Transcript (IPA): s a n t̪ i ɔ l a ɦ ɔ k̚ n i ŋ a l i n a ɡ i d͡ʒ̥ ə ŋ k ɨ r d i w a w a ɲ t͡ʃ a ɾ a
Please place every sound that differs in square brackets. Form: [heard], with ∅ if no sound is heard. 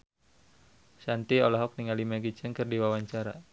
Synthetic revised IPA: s a n t̪ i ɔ l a ɦ ɔ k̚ n i ŋ a l i [m] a ɡ i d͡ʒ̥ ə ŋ k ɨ r d i w a w a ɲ t͡ʃ a ɾ a